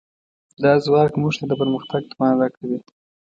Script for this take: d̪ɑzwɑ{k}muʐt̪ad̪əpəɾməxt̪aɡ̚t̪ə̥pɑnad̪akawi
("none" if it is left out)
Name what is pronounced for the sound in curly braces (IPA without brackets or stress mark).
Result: k